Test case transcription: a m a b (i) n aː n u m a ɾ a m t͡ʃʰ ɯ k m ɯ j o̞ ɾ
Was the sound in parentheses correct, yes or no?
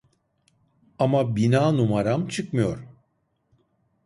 yes